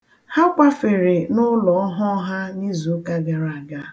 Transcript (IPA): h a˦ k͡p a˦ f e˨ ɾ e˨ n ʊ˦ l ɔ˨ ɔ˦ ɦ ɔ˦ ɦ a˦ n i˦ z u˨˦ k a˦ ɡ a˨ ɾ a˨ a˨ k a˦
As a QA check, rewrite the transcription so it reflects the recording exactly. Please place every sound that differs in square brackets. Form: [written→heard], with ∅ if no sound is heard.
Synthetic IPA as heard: h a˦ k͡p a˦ f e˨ ɾ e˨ n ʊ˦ l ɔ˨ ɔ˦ ɦ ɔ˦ ɦ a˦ n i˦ z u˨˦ k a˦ ɡ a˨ ɾ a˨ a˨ [k→ɡ] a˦